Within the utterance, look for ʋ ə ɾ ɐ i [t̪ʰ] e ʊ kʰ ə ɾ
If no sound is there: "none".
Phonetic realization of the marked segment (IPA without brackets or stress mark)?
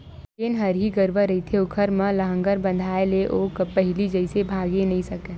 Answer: t̪ʰ